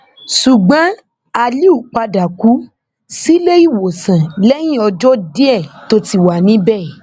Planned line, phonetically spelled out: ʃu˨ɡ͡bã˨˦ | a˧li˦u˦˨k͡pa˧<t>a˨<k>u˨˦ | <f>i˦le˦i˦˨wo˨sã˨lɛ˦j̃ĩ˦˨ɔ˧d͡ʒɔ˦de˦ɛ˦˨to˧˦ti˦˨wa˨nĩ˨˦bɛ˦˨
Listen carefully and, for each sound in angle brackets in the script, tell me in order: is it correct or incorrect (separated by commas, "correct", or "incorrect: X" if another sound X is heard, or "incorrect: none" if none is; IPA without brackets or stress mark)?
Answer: incorrect: d, correct, incorrect: s